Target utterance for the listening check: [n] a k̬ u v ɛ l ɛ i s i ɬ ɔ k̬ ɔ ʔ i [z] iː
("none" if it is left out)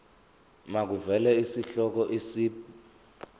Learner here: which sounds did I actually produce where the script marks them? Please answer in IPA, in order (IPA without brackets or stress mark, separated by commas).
m, s